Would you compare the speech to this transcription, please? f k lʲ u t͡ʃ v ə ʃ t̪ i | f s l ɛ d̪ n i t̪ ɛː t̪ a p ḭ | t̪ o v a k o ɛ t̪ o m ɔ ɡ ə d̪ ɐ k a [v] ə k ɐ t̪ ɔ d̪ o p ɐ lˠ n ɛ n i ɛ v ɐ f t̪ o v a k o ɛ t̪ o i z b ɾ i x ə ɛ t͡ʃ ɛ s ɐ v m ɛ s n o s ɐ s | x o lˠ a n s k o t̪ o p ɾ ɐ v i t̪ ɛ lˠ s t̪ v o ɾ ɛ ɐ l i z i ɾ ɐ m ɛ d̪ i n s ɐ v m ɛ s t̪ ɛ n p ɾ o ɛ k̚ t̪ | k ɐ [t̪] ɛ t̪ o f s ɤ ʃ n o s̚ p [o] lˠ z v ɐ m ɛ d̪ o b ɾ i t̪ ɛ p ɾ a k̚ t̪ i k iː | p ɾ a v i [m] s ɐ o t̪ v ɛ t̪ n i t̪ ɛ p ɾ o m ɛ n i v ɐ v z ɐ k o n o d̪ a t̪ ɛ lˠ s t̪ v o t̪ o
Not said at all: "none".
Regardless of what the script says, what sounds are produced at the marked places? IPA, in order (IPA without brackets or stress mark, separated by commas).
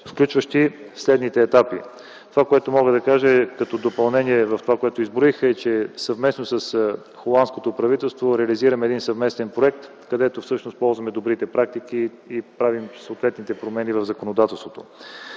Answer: ʒ, d̪, ɔ, m